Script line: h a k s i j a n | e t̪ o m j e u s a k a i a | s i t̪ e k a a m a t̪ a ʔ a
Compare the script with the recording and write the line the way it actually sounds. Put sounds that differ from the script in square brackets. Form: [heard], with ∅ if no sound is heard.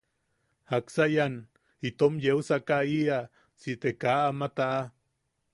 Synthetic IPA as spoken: h a k s [a] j a n | [i] t̪ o m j e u s a k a i a | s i t̪ e k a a m a t̪ a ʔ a